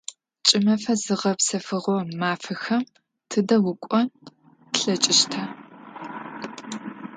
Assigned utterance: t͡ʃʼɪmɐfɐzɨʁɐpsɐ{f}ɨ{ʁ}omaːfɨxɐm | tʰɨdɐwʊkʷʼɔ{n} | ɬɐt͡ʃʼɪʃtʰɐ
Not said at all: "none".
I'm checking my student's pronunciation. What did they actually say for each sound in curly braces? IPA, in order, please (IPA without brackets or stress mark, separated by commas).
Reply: f, ʁ, n